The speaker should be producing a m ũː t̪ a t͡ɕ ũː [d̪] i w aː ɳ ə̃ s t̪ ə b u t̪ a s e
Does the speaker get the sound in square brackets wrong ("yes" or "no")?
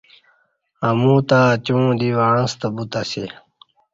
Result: no